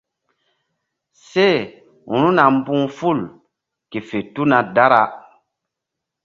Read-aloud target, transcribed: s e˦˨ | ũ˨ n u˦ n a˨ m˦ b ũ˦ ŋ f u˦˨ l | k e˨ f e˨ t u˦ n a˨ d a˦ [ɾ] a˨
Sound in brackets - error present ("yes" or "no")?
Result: no